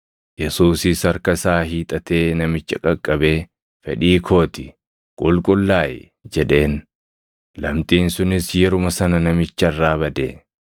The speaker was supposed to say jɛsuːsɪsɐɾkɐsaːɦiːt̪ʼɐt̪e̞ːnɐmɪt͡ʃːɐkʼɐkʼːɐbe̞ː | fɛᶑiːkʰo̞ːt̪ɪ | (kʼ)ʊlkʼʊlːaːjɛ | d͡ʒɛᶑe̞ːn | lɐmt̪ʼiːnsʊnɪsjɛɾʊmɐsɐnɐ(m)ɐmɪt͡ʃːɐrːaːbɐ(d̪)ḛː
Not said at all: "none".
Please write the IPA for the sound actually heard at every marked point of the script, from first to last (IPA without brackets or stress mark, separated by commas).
kʼ, n, d̪